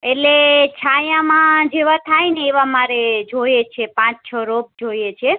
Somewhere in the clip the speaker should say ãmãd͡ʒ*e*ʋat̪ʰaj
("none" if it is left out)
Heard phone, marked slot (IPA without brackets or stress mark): e